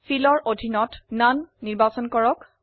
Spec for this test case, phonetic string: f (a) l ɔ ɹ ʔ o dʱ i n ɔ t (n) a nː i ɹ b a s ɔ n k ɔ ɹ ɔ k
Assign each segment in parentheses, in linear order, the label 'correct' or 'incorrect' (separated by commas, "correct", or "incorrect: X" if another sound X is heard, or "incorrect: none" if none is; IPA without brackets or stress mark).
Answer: incorrect: i, correct